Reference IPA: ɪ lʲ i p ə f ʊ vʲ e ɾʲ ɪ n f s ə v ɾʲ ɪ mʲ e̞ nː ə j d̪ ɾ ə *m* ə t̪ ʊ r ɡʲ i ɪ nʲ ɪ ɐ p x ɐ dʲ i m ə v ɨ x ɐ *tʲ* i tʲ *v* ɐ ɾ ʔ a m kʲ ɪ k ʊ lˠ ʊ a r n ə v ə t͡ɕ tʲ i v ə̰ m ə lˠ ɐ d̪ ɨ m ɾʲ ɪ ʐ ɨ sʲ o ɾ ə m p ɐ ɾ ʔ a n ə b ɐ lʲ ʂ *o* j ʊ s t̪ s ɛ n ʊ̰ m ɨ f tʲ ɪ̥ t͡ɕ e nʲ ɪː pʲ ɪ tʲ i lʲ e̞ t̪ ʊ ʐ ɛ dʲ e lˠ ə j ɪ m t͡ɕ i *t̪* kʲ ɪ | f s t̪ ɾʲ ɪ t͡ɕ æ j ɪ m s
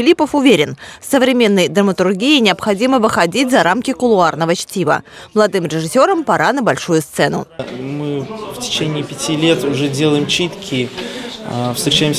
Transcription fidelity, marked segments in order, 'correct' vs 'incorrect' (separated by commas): correct, incorrect, incorrect, incorrect, correct